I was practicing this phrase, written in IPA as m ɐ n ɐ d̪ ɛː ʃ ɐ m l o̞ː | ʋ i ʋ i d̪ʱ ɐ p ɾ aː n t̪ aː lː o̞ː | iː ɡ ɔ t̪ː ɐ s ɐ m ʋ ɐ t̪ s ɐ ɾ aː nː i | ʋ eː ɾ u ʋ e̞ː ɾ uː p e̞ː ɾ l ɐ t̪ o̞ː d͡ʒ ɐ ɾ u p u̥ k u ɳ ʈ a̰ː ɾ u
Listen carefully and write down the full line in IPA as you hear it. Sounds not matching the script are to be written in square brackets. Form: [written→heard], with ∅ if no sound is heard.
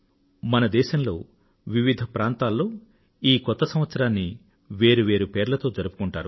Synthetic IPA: m ɐ n ɐ d̪ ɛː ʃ ɐ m l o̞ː | ʋ i ʋ i d̪ʱ ɐ p ɾ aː n t̪ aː lː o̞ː | iː [ɡ→k] ɔ t̪ː ɐ s ɐ m ʋ ɐ t̪ s ɐ ɾ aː nː i | ʋ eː ɾ u ʋ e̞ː ɾ [uː→u] p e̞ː ɾ l ɐ t̪ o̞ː d͡ʒ ɐ ɾ u p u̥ k u ɳ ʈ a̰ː ɾ u

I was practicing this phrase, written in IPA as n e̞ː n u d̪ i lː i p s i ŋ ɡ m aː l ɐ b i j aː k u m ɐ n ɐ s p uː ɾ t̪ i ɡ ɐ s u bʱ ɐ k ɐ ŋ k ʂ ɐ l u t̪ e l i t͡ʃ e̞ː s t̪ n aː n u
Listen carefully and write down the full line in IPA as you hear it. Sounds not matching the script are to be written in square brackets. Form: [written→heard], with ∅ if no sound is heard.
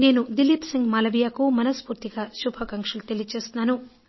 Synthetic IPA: n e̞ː n u d̪ i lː i p s i ŋ ɡ m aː l ɐ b i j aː k u m ɐ n ɐ s p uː ɾ t̪ i ɡ ɐ [s→ʃ] u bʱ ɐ k ɐ ŋ k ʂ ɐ l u t̪ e l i t͡ʃ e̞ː s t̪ n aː n u

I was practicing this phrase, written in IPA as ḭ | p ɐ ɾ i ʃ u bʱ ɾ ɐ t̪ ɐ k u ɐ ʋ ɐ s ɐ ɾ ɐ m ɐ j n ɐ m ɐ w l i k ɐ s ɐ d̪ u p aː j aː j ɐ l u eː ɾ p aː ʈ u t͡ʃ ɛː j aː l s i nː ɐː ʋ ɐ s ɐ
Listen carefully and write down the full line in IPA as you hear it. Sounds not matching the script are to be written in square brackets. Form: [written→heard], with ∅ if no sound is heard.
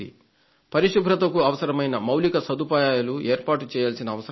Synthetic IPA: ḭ | p ɐ ɾ i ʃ u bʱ ɾ ɐ t̪ ɐ k u ɐ ʋ ɐ s ɐ ɾ ɐ m ɐ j n ɐ m ɐ w l i k ɐ s ɐ d̪ u p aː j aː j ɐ l u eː ɾ p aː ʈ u t͡ʃ ɛː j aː l s i [nː→n] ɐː ʋ ɐ s ɐ

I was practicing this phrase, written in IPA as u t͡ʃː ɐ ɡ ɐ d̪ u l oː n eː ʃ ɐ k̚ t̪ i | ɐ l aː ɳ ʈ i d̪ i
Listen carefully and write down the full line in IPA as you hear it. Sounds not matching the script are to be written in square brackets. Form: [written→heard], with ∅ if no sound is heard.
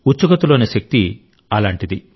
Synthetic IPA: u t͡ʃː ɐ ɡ ɐ [d̪→t̪] u l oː n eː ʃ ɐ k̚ t̪ i | ɐ l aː ɳ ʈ i d̪ i

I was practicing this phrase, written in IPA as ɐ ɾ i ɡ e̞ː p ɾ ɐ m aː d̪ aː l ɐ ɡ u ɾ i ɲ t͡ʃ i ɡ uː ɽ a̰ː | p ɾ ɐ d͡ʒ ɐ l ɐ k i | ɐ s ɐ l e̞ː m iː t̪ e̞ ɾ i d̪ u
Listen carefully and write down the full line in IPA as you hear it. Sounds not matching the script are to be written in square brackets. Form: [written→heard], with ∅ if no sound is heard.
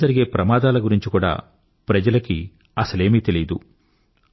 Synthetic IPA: ɐ ɾ i ɡ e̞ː p ɾ ɐ m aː d̪ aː l ɐ ɡ u ɾ i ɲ t͡ʃ i [ɡ→k] uː ɽ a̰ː | p ɾ ɐ d͡ʒ ɐ l ɐ k i | ɐ s ɐ l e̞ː m iː t̪ e̞ [ɾ→l] i d̪ u

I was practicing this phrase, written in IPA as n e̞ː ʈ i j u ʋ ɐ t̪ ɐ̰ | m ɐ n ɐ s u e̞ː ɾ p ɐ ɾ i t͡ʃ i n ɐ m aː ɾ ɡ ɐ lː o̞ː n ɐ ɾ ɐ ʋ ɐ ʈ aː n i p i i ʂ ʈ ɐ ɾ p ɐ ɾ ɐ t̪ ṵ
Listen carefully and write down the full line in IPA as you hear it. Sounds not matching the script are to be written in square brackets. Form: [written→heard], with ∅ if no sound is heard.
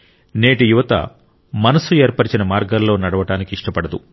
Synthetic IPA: n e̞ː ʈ i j u ʋ ɐ t̪ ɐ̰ | m ɐ n ɐ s u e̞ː ɾ p ɐ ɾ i t͡ʃ i n ɐ m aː ɾ ɡ ɐ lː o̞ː n ɐ [ɾ→ɽ] ɐ ʋ ɐ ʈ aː n i [p→k] i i ʂ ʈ ɐ [ɾ→∅] p ɐ [ɾ→ɽ] ɐ [t̪→d̪] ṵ

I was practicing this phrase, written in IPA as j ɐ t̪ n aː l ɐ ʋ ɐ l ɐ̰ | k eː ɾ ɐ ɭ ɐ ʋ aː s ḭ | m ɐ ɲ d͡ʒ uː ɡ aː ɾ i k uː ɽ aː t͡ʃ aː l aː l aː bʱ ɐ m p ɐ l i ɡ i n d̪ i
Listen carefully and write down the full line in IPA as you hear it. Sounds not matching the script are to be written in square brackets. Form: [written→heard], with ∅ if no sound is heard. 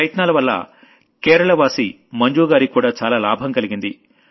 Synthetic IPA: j ɐ t̪ n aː l ɐ ʋ ɐ [l→lː] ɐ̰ | k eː ɾ ɐ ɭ ɐ ʋ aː s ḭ | m ɐ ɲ d͡ʒ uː ɡ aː ɾ i k uː ɽ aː t͡ʃ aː l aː l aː bʱ ɐ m [p→k] ɐ l i ɡ i n d̪ i

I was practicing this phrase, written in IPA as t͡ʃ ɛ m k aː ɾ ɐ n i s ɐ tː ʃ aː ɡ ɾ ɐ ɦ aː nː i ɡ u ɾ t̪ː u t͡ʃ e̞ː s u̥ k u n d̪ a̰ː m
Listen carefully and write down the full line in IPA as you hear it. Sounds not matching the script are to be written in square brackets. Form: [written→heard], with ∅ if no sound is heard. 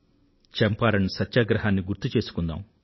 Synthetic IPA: t͡ʃ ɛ m [k→p] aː ɾ ɐ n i s ɐ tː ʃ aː ɡ ɾ ɐ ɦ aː nː i ɡ u ɾ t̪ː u t͡ʃ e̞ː s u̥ k u n d̪ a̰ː m

